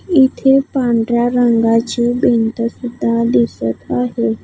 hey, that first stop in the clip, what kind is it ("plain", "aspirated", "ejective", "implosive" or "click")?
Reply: aspirated